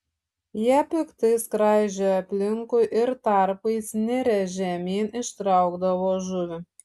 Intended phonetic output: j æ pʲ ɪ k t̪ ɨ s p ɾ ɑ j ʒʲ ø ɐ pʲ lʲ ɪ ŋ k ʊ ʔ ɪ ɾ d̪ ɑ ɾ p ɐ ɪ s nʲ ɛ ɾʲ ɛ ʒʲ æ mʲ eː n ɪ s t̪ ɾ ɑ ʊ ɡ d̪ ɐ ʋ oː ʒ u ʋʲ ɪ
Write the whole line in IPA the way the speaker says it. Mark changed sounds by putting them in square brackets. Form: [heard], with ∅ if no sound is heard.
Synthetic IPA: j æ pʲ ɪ k t̪ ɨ s [k] ɾ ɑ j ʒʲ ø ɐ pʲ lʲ ɪ ŋ k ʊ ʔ ɪ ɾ [t̪] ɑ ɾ p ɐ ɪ s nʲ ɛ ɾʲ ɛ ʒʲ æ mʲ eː n ɪ [ʃ] t̪ ɾ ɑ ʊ ɡ d̪ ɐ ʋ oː ʒ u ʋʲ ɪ